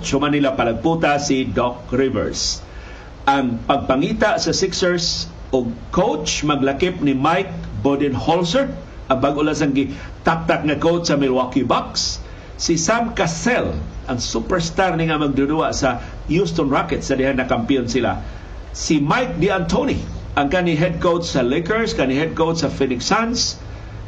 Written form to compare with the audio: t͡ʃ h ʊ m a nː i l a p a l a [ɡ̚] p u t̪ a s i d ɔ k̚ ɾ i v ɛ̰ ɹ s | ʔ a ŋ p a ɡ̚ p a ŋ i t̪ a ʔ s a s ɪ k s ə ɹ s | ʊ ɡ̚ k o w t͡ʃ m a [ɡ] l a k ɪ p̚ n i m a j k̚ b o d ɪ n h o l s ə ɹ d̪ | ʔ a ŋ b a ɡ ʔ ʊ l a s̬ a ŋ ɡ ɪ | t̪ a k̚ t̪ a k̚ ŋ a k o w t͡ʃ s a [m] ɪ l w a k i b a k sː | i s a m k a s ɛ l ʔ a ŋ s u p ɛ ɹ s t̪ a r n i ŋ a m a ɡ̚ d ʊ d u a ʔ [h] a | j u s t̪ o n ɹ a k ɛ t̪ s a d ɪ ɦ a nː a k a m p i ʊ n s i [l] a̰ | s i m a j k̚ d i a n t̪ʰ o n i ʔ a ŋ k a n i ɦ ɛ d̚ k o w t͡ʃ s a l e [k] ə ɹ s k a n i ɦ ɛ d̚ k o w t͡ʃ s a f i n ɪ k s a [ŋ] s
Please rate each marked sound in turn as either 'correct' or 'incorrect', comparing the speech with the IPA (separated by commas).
correct, correct, correct, incorrect, correct, correct, incorrect